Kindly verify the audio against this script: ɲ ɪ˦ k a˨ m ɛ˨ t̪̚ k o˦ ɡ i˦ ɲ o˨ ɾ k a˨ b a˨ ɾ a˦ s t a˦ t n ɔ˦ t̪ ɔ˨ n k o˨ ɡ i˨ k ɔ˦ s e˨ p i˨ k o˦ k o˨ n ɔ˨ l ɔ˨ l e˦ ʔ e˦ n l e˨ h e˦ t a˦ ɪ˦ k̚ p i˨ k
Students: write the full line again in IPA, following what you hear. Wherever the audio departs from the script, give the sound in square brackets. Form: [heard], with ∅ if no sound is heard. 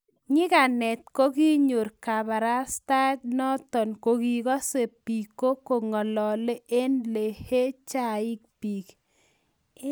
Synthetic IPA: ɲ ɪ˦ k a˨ [n] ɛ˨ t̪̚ k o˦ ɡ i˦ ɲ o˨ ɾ k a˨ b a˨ ɾ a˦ s t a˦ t n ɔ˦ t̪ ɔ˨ n k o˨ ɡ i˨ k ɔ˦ s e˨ p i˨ k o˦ k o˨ [ŋ] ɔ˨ l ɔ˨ l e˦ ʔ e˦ n l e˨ h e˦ [t͡ʃ] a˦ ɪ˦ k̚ p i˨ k